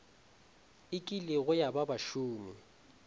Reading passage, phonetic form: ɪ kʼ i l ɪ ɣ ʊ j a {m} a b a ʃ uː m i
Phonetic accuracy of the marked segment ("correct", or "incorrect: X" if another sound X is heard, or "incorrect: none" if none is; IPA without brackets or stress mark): incorrect: b